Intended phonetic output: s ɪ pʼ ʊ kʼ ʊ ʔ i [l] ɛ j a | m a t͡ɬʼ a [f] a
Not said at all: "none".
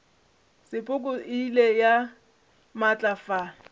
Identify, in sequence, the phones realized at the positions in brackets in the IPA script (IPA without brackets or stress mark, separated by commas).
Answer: l, f